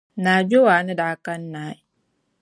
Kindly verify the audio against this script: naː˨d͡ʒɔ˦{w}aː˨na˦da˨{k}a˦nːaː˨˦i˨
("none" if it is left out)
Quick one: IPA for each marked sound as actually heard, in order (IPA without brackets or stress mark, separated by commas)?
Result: w, k